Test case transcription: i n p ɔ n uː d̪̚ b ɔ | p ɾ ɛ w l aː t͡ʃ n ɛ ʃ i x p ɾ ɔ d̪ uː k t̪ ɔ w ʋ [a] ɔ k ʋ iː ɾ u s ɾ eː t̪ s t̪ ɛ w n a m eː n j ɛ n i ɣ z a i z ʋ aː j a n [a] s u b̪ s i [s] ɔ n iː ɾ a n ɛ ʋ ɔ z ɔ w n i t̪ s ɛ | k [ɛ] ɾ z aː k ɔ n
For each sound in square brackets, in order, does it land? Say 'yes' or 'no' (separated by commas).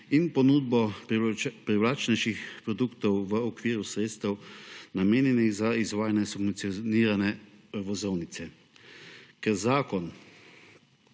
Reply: no, no, no, yes